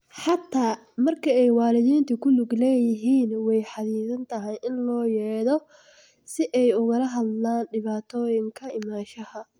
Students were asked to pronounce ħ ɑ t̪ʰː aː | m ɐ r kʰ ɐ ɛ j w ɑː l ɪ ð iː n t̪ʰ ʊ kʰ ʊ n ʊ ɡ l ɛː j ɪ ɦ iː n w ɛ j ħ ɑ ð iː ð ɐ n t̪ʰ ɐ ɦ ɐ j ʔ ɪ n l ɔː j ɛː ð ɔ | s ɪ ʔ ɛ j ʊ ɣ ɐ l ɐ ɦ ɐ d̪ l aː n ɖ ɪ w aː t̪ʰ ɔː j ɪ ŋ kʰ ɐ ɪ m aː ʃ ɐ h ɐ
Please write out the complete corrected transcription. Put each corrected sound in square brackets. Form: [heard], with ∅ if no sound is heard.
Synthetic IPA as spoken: ħ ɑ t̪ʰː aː | m ɐ r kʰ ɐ ɛ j w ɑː l ɪ ð iː n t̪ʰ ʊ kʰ ʊ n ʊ ɡ l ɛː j ɪ ɦ iː n w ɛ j ħ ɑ ð iː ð ɐ n t̪ʰ ɐ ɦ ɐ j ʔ ɪ n l ɔː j ɛː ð ɔ | s ɪ ʔ ɛ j ʊ ɣ ɐ l ɐ ɦ ɐ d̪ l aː n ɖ ɪ [β] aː t̪ʰ ɔː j ɪ ŋ kʰ ɐ ɪ m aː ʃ ɐ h ɐ